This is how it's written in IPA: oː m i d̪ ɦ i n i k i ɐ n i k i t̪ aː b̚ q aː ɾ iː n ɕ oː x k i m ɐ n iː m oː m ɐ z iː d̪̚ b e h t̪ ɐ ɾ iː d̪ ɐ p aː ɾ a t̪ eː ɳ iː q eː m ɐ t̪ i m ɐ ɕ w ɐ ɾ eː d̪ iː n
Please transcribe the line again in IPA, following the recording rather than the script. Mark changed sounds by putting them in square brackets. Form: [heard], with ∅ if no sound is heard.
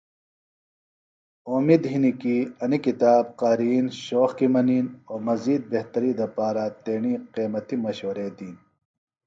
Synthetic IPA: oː m i d̪ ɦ i n i k i ɐ n i k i t̪ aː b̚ q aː ɾ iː n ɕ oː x k i m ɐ n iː [n] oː m ɐ z iː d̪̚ b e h t̪ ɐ ɾ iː d̪ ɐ p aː ɾ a t̪ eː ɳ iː q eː m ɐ t̪ i m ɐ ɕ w ɐ ɾ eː d̪ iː n